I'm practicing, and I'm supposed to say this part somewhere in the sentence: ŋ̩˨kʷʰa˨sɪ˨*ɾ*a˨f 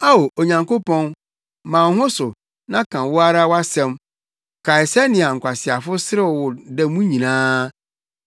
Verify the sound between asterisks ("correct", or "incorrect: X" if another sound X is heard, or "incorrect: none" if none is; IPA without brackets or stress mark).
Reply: incorrect: none